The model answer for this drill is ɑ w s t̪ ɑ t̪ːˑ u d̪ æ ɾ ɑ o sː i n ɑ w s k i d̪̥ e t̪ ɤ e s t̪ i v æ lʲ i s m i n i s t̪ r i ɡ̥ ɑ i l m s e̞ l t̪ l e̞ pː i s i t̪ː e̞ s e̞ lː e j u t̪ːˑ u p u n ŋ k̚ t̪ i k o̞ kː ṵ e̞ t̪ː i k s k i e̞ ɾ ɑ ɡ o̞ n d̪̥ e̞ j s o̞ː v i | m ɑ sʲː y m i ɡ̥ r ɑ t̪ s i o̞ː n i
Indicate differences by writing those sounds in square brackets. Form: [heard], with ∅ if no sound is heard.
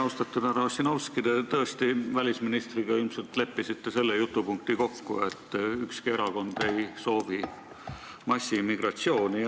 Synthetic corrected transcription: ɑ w s t̪ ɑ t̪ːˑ u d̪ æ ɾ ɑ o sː i n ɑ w s k i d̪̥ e t̪ ɤ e s t̪ i v æ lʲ i s m i n i s t̪ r i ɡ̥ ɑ i l m s e̞ l t̪ l e̞ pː i s i t̪ː e̞ s e̞ lː e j u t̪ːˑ u p u [∅] ŋ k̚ t̪ i k o̞ kː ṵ e̞ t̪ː [y] k s k i e̞ ɾ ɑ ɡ o̞ n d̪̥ e̞ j s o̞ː v i | m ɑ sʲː [i] m i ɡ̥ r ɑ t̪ s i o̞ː n i

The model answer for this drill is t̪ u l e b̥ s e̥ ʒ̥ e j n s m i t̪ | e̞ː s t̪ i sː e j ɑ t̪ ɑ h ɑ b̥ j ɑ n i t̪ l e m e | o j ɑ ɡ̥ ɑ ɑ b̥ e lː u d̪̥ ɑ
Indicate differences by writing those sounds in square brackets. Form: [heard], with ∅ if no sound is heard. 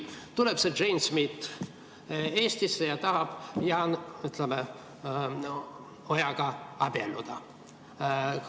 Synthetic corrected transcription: t̪ u l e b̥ s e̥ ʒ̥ e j n s m i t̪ | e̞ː s t̪ i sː e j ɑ t̪ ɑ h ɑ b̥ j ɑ n [y] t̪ l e m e | o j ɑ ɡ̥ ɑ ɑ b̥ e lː u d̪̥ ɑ

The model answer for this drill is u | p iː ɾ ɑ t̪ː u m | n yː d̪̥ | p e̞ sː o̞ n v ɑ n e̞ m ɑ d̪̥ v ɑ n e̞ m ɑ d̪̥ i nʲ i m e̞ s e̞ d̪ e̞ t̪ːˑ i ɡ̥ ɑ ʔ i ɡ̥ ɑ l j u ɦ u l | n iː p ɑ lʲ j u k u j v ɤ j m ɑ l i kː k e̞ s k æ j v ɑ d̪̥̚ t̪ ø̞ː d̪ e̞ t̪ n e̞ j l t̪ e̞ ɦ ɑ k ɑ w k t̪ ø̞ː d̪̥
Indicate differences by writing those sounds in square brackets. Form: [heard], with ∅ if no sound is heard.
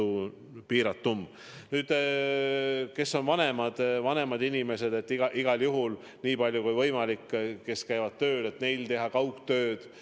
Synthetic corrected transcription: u | p iː ɾ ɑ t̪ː u m | n yː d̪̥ | [k] e̞ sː o̞ n v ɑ n e̞ m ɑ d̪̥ v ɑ n e̞ m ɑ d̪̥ i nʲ i m e̞ s e̞ d̪ e̞ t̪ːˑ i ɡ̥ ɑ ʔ i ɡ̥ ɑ l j u ɦ u l | n iː p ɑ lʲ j u k u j v ɤ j m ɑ l i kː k e̞ s k æ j v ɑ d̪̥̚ t̪ ø̞ː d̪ e̞ t̪ n e̞ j l t̪ e̞ ɦ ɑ k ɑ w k t̪ ø̞ː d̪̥

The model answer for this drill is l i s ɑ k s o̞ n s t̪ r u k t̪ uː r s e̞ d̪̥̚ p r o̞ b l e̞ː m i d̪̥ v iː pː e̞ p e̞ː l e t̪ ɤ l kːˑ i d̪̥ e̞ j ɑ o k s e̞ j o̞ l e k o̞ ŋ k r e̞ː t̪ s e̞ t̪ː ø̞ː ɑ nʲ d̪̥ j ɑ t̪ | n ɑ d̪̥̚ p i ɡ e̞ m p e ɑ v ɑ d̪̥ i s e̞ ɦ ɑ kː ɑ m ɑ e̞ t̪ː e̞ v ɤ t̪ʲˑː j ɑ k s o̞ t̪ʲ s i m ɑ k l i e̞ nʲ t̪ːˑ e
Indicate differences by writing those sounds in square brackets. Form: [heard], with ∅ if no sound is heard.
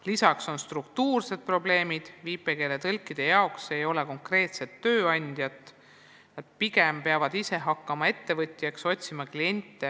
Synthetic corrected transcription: l i s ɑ k s o̞ n s t̪ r u k t̪ uː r s e̞ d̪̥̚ p r o̞ b l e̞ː m i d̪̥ v iː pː e̞ [k] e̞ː l e t̪ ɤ l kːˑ i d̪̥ e̞ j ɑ o k s e̞ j o̞ l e k o̞ ŋ k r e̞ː t̪ s e̞ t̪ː ø̞ː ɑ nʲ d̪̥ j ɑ t̪ | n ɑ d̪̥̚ p i ɡ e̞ m p e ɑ v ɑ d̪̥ i s e̞ ɦ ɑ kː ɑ m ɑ e̞ t̪ː e̞ v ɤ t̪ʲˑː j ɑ k s o̞ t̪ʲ s i m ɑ k l i e̞ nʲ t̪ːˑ e

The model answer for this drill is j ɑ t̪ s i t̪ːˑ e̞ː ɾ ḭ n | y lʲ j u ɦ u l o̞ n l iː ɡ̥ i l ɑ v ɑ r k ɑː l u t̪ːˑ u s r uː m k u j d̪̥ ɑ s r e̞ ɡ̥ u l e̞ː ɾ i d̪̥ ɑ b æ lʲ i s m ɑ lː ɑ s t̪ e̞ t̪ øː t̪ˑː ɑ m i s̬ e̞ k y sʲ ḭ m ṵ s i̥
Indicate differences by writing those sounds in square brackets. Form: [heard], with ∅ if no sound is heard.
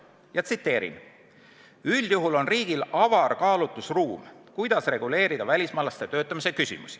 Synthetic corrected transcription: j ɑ t̪ s i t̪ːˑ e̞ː ɾ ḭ n | y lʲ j u ɦ u l o̞ n [r] iː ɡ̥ i l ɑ v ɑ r k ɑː l u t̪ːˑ u s r uː m k u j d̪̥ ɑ s r e̞ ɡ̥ u l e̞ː ɾ i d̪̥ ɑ [v] æ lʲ i s m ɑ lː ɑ s t̪ e̞ t̪ øː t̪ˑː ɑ m i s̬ e̞ k y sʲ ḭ m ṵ s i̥

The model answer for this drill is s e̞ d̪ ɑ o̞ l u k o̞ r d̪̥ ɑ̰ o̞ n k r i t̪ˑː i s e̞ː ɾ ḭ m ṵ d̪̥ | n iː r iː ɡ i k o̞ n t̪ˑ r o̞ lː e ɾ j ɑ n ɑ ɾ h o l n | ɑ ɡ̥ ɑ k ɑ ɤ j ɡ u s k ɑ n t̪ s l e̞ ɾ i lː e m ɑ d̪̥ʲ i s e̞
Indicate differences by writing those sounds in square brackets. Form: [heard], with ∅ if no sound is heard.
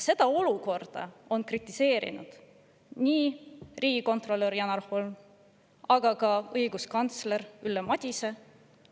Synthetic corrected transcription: s e̞ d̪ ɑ o̞ l u k o̞ r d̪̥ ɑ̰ o̞ n k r i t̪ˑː i s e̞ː ɾ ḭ [n] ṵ d̪̥ | n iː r iː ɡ i k o̞ n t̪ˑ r o̞ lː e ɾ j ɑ n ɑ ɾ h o l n | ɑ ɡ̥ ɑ k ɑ ɤ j ɡ u s k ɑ n t̪ s l e̞ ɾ [y] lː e m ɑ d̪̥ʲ i s e̞

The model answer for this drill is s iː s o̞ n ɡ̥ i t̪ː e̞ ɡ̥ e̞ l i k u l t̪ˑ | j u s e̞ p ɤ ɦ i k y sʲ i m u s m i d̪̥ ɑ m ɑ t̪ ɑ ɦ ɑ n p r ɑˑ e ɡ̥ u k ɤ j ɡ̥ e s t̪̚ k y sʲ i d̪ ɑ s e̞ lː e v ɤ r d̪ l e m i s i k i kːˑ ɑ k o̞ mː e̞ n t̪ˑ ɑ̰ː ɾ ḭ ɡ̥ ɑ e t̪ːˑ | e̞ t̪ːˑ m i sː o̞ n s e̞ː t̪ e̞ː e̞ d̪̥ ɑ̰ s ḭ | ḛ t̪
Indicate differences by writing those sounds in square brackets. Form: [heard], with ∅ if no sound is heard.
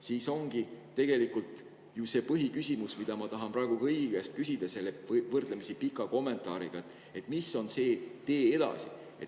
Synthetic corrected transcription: s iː s o̞ [ŋ] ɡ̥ i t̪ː e̞ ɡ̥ e̞ l i k u l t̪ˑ | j u s e̞ p ɤ ɦ i k y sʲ i m u s m i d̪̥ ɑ m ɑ t̪ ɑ ɦ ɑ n p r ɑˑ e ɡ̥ u k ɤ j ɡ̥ e s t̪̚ k y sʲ i d̪ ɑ s e̞ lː e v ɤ r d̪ l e m i s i [p] i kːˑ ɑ k o̞ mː e̞ n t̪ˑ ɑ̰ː ɾ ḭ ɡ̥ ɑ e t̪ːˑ | e̞ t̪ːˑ m i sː o̞ n s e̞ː t̪ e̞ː e̞ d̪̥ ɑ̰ s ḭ | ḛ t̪

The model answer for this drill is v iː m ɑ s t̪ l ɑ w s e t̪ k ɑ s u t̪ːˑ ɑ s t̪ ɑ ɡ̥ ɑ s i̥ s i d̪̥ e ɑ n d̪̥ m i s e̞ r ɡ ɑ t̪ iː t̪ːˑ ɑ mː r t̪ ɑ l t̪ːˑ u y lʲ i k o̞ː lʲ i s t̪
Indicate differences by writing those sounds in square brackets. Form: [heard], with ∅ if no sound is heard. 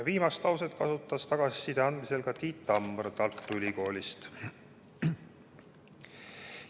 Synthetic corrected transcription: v iː m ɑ s t̪ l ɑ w s e t̪ k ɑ s u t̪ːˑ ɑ s t̪ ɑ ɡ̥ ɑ s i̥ s i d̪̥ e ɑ n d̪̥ m i s e̞ [l] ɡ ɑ t̪ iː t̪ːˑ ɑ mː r t̪ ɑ l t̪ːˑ u y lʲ i k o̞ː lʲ i s t̪

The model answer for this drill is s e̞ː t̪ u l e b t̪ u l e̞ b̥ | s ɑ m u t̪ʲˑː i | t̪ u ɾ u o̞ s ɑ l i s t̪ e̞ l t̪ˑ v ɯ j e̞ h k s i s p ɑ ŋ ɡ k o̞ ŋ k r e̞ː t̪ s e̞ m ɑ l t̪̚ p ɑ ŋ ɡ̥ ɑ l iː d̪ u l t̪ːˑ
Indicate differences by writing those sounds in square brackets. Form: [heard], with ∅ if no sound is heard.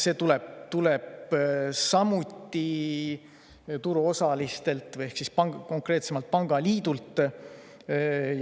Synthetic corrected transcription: s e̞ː t̪ u l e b t̪ u l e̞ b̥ | s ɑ m u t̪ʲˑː i | t̪ u ɾ u o̞ s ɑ l i s t̪ e̞ l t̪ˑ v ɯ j e̞ h k s i s p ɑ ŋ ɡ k o̞ ŋ k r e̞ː t̪ s e̞ m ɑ l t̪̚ p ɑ ŋ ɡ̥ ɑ l iː d̪ u l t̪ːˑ

